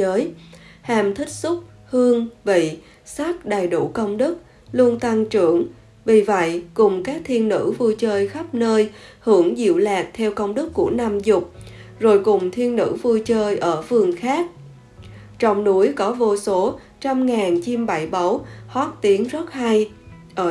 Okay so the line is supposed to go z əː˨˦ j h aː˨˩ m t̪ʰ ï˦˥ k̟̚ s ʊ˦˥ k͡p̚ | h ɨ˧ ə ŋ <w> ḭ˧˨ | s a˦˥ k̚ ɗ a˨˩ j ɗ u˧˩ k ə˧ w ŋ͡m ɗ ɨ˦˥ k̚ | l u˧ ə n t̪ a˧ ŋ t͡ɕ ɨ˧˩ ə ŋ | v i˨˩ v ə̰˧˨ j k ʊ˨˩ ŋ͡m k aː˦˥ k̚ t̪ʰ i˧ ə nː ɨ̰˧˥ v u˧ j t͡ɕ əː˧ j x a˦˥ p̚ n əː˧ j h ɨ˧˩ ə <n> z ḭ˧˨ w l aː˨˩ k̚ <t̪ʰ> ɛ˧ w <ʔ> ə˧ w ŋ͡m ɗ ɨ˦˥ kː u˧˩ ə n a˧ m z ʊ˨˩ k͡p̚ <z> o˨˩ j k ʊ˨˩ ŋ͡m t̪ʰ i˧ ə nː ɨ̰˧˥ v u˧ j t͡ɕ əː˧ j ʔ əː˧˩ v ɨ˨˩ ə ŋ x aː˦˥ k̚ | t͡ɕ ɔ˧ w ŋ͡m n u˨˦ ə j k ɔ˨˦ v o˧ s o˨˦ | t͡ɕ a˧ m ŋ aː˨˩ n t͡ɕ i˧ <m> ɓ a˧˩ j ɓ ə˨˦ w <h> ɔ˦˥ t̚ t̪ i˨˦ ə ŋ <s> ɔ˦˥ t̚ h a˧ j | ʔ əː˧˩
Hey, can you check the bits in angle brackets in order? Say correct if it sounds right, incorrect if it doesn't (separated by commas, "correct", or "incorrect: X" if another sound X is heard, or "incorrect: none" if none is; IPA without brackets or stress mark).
incorrect: v, incorrect: ŋ, correct, incorrect: k, correct, correct, correct, incorrect: z